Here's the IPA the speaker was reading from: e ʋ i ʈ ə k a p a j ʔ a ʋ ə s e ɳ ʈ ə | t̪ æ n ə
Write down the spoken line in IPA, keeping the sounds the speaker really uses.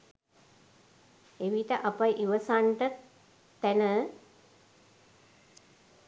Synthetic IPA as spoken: e ʋ i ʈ ə ʔ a p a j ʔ i ʋ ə s a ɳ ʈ ə | t̪ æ n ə